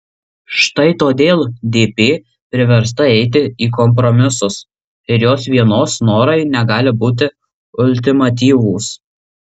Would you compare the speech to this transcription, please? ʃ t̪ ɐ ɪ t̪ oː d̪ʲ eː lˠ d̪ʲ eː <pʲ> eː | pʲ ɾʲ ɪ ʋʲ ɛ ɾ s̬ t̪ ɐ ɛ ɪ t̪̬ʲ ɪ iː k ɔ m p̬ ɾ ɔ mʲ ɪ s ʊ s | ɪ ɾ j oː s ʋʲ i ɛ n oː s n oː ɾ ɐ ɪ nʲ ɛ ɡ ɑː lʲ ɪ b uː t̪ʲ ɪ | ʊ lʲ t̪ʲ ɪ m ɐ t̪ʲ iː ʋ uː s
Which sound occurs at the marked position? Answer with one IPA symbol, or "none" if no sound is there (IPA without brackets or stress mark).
pʲ